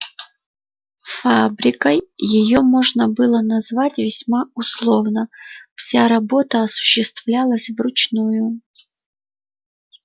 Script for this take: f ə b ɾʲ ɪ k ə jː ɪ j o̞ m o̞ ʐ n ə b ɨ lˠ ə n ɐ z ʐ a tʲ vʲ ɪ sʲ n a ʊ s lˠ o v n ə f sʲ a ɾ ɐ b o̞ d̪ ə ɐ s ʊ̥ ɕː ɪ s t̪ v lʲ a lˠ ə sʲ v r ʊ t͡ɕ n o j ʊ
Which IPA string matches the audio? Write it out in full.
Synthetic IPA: f a b ɾʲ ɪ k ə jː ɪ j o̞ m o̞ ʐ n ə b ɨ lˠ ə n ɐ z v a tʲ vʲ ɪ sʲ m a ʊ s lˠ o v n ə f sʲ a ɾ ɐ b o̞ t̪ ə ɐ s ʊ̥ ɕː ɪ s t̪ v lʲ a lˠ ə sʲ v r ʊ t͡ɕ n u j ʊ